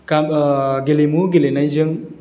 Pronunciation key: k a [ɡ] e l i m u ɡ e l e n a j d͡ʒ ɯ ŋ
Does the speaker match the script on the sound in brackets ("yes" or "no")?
yes